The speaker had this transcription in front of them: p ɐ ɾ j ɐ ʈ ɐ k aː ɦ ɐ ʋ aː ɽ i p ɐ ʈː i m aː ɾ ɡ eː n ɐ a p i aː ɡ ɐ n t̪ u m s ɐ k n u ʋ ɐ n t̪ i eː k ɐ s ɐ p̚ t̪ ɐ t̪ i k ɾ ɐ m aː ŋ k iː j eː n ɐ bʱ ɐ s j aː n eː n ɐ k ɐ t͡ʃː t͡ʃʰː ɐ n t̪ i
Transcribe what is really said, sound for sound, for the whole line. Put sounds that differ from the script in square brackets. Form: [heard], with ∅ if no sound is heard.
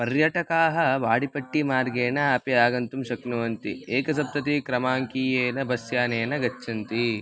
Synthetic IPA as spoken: p ɐ ɾ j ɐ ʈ ɐ k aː ɦ ɐ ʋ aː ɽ i p ɐ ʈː i m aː ɾ ɡ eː n ɐ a p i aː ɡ ɐ n t̪ u m [ʃ] ɐ k n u ʋ ɐ n t̪ i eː k ɐ s ɐ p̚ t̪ ɐ t̪ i k ɾ ɐ m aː ŋ k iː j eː n ɐ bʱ ɐ s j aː n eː n ɐ [ɡ] ɐ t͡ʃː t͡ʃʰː ɐ n t̪ i